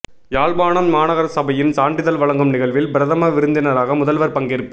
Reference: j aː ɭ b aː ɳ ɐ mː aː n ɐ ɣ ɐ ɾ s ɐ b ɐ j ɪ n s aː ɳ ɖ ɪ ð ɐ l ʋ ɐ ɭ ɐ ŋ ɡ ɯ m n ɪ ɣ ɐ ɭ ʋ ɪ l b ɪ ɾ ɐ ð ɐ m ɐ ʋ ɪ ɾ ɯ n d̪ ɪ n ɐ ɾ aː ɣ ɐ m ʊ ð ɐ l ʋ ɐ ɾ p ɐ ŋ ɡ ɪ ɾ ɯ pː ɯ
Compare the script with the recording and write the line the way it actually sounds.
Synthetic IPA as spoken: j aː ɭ b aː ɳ ɐ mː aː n ɐ ɣ ɐ ɾ s ɐ b ɐ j ɪ n s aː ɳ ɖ ɪ ð ɐ l ʋ ɐ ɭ ɐ ŋ ɡ ɯ m n ɪ ɣ ɐ ɭ ʋ ɪ l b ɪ ɾ ɐ ð ɐ m ɐ ʋ ɪ ɾ ɯ n d̪ ɪ n ɐ ɾ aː ɣ ɐ m ʊ ð ɐ l ʋ ɐ ɾ p ɐ ŋ ɡ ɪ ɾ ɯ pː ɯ